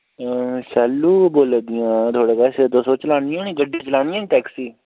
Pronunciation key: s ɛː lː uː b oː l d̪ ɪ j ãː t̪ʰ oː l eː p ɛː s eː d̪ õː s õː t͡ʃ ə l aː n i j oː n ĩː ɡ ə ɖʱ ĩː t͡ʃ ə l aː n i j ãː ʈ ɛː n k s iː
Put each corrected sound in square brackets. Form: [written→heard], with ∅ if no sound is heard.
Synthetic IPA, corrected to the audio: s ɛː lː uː b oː l d̪ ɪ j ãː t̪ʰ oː [l→ɽ] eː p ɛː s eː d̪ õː s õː t͡ʃ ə l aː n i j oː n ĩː ɡ ə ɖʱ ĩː t͡ʃ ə l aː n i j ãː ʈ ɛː [n→∅] k s iː

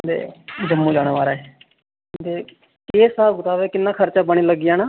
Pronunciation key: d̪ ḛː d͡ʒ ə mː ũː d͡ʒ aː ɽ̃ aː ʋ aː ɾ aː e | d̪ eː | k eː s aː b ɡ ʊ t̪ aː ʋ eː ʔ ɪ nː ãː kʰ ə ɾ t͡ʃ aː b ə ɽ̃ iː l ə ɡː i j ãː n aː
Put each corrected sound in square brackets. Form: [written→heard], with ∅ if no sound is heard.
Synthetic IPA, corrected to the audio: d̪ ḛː d͡ʒ ə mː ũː d͡ʒ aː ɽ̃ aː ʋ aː ɾ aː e | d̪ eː | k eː s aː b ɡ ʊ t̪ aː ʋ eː [ʔ→k] ɪ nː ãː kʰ ə ɾ t͡ʃ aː b ə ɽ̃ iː l ə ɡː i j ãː n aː

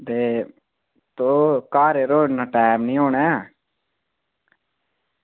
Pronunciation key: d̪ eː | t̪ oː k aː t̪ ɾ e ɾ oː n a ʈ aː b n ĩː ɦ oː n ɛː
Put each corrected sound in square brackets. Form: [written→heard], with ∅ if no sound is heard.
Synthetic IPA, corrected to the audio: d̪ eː | t̪ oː k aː [t̪→∅] ɾ e ɾ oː n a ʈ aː [b→m] n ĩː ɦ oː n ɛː

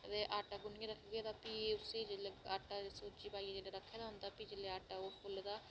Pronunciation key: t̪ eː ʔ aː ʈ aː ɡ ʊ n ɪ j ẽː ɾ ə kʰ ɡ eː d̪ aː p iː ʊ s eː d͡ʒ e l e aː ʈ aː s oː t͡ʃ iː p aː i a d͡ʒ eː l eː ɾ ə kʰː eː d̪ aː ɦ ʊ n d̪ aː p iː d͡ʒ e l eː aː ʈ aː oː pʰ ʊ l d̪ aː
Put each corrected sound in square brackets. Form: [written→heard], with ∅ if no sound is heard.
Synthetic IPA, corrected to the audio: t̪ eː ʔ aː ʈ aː ɡ ʊ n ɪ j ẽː ɾ ə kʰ ɡ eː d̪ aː p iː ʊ s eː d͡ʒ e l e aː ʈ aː s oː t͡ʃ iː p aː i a d͡ʒ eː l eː ɾ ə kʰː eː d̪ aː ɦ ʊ n d̪ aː p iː d͡ʒ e l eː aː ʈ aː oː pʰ ʊ l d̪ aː

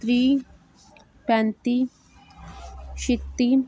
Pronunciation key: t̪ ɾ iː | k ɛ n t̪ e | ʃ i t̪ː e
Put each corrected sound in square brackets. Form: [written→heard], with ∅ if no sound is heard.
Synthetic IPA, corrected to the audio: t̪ ɾ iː | [k→p] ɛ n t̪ [e→i] | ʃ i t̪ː [e→i]

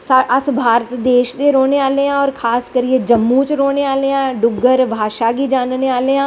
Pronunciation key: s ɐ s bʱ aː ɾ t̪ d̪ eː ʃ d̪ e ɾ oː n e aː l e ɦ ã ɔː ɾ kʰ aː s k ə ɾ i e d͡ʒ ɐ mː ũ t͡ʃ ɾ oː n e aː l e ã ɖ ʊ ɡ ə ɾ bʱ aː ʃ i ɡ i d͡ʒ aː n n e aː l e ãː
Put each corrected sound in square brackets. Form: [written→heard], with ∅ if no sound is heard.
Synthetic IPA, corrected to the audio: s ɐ s bʱ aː ɾ t̪ d̪ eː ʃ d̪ e ɾ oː n e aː l e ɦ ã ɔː ɾ kʰ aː s k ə ɾ i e d͡ʒ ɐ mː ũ t͡ʃ ɾ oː n e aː l e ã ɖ ʊ ɡ ə ɾ bʱ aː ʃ [i→a] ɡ i d͡ʒ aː n n e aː l e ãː

